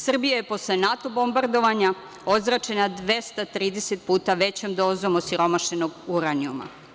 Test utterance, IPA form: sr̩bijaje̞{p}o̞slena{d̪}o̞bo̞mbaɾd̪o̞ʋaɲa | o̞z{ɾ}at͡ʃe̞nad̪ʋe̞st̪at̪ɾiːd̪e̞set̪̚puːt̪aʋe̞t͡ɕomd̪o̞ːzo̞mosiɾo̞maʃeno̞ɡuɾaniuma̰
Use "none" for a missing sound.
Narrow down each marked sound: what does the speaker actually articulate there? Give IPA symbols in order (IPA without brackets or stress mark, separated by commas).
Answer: p, t̪, ɾ